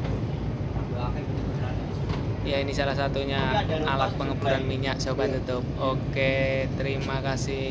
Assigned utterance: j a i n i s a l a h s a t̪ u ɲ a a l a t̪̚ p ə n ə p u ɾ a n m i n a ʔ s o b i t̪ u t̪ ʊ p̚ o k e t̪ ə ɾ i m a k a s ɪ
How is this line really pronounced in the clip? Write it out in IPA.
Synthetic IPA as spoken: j a i n i s a l a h s a t̪ u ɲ a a l a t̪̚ p ə ŋ ə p u ɾ a n m i ɲ a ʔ s o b a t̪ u t̪ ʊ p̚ o k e t̪ ə ɾ i m a k a s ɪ